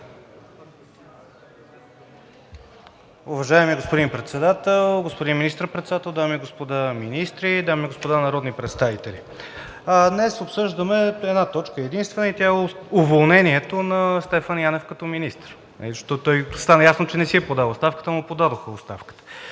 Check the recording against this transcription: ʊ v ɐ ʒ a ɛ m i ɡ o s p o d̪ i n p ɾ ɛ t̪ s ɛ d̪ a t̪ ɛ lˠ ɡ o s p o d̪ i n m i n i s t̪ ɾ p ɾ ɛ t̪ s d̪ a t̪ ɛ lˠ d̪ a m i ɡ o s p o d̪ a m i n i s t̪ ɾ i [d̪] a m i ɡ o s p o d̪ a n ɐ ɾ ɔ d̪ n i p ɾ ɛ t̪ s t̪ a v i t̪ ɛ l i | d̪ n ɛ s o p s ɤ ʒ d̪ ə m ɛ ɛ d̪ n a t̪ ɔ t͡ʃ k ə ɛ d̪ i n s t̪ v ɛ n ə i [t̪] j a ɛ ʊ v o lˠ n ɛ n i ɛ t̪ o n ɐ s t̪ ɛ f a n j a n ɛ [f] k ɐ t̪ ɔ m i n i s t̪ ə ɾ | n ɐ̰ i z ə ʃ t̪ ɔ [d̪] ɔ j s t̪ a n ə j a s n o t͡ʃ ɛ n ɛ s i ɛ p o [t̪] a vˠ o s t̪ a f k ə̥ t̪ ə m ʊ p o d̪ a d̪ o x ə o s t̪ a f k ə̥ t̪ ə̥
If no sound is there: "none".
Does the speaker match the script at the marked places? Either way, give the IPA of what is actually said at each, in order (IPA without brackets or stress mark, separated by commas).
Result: d̪, t̪, f, t̪, d̪